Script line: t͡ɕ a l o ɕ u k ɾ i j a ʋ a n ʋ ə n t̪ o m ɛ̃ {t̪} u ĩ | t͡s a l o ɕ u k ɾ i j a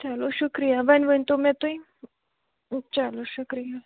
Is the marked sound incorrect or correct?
correct